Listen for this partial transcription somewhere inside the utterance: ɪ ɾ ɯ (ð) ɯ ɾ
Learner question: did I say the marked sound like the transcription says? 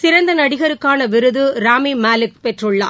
yes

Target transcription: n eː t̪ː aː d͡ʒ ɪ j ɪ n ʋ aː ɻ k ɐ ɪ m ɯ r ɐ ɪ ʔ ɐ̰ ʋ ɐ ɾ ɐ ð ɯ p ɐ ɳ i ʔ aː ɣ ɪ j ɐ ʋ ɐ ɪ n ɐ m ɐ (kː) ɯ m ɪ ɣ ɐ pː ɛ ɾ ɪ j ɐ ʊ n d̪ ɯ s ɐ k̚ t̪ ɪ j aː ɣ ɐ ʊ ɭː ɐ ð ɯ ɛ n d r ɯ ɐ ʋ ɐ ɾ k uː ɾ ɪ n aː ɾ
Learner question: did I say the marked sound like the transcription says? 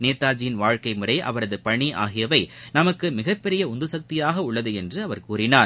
yes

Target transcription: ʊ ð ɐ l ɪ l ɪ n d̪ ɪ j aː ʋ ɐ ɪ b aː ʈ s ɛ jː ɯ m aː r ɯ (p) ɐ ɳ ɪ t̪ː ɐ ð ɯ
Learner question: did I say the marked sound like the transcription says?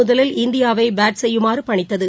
yes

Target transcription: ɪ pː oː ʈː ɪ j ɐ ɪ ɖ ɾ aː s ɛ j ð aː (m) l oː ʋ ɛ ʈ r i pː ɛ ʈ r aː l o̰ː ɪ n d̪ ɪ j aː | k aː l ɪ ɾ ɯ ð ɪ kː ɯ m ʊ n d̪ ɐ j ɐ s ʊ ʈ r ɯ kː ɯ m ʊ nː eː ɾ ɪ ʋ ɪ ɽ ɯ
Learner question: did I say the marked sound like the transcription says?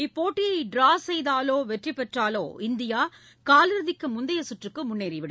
no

